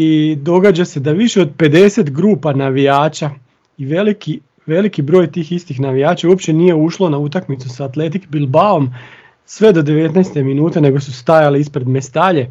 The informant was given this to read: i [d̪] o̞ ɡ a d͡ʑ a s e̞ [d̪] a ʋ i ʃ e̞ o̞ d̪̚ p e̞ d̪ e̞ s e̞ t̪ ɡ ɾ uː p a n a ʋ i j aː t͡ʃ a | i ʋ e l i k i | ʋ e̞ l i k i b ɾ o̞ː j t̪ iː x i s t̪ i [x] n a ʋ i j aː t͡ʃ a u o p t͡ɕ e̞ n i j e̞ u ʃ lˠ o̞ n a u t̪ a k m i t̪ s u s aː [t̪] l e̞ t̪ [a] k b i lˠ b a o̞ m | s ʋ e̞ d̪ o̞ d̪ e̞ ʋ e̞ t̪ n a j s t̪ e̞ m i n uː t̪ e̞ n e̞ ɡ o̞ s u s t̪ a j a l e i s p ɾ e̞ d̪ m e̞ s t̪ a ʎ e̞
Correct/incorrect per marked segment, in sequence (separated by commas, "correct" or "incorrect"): correct, correct, correct, correct, incorrect